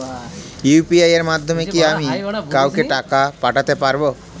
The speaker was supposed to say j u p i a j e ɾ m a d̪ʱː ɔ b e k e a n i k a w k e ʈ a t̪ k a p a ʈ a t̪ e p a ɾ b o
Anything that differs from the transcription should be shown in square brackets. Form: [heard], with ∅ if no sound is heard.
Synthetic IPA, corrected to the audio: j u p i a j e ɾ m a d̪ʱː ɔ [m] e k [i] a [m] i k a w k e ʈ a [∅] k a p a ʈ a t̪ e p a ɾ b o